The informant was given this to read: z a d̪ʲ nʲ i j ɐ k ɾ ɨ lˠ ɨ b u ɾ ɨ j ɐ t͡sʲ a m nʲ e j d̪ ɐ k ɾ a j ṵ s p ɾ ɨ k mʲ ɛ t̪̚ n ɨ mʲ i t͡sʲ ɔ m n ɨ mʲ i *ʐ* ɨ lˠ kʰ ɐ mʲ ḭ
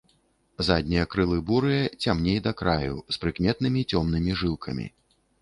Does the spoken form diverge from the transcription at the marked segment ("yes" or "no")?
no